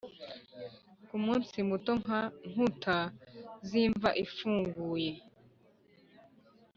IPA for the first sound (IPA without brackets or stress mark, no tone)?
k